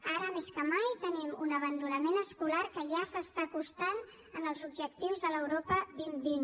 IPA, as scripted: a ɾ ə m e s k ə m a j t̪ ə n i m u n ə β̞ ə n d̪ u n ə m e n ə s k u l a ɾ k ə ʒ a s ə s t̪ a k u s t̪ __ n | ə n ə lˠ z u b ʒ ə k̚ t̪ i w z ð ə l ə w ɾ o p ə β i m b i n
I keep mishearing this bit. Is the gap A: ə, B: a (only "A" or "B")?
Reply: B